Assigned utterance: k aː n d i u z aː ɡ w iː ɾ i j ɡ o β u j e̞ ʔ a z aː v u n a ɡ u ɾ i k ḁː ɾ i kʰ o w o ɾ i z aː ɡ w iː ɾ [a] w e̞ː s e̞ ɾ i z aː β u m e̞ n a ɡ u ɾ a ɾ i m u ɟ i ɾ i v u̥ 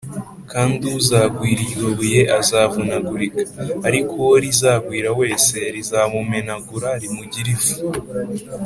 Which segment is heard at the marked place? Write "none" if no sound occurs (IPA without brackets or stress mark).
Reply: a